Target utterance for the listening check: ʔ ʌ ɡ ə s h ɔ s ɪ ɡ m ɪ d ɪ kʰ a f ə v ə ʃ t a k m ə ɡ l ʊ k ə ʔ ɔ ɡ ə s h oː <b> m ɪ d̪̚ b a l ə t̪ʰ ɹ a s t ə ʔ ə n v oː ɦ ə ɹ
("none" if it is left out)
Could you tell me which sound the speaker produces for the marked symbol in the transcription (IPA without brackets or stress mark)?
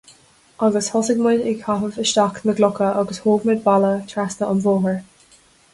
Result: ɡ